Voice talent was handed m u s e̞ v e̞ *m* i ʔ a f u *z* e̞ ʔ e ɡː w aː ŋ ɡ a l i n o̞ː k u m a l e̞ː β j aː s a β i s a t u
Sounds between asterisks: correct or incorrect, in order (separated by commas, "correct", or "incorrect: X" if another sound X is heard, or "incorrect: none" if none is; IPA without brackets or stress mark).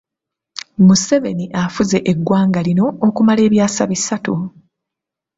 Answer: incorrect: n, correct